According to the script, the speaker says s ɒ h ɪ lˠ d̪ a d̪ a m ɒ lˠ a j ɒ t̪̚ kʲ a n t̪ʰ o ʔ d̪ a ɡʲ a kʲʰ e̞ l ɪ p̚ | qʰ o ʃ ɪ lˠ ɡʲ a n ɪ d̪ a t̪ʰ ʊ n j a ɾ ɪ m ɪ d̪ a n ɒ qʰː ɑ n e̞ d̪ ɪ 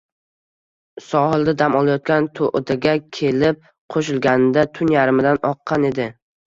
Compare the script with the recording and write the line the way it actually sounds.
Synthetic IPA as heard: s ɒ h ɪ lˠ d̪ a d̪ a m ɒ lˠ a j ɒ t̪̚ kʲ a n t̪ʰ o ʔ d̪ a ɡʲ a kʲʰ e̞ l ɪ p̚ | qʰ o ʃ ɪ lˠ ɡʲ a n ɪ d̪ a t̪ʰ ʊ n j a ɾ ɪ m ɪ d̪ a n ɒ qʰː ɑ n e̞ d̪ ɪ